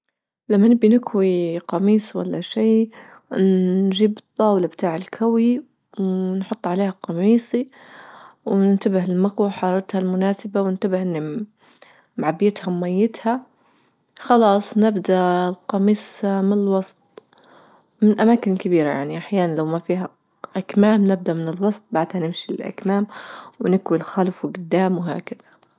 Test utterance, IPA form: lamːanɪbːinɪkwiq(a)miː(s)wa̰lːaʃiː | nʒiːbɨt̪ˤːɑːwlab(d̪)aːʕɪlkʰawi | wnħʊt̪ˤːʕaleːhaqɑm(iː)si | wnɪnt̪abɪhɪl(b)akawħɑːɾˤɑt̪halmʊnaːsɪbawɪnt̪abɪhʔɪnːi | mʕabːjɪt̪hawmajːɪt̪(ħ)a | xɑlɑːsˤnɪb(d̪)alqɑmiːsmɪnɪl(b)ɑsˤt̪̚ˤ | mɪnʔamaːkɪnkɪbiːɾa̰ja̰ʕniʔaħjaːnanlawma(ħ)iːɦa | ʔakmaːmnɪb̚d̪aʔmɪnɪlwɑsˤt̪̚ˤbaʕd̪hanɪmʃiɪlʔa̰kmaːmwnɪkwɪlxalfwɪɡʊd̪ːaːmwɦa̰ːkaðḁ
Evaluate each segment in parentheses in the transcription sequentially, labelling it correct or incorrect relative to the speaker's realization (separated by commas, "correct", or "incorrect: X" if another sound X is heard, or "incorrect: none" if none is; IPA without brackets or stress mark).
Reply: incorrect: ɑ, correct, incorrect: t̪, correct, incorrect: m, incorrect: h, correct, incorrect: w, incorrect: f